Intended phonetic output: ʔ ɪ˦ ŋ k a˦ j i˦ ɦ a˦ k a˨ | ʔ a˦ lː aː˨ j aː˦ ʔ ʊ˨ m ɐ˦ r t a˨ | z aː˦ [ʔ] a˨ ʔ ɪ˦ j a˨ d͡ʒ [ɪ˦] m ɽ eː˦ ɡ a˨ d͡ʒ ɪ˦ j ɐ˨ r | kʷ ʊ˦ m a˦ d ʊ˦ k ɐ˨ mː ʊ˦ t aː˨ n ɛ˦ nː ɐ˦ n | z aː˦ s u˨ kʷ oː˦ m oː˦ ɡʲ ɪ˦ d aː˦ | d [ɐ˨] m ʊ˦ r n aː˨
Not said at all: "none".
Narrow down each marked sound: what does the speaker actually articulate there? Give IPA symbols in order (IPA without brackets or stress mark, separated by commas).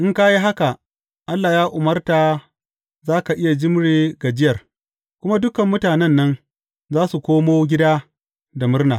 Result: k, ɪ˦, a˨